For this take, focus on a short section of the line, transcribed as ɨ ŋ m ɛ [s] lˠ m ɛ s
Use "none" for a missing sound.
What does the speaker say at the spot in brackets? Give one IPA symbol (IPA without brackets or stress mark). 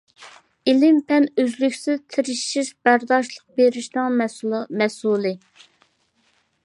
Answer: s